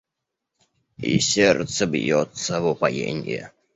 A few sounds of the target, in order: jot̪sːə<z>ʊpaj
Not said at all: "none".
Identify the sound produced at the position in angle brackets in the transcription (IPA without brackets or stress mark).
v